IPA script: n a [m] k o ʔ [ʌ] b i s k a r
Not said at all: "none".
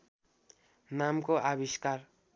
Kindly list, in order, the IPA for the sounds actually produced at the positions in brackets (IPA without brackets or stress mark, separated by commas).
m, a